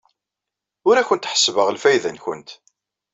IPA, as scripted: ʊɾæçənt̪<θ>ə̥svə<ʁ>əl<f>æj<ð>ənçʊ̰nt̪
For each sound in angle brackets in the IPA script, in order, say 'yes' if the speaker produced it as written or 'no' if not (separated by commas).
no, yes, yes, yes